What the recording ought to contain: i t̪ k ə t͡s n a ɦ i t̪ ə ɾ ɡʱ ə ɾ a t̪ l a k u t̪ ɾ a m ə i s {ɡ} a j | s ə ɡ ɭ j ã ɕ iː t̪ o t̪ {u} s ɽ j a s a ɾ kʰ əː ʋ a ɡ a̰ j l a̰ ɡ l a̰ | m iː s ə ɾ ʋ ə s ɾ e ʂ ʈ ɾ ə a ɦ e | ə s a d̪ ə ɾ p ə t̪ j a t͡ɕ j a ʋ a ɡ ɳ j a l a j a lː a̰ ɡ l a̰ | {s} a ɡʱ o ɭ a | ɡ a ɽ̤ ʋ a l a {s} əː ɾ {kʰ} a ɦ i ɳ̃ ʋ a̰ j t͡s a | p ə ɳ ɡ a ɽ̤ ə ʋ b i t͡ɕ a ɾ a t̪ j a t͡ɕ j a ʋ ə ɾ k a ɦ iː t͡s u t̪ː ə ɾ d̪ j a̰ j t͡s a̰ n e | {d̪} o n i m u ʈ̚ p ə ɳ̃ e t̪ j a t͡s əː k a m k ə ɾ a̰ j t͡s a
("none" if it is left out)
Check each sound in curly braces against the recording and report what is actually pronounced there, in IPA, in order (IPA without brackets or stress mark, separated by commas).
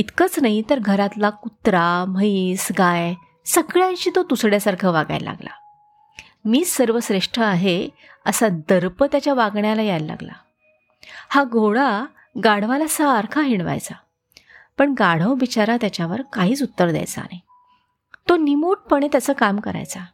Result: ɡ, u, h, s, kʰ, t̪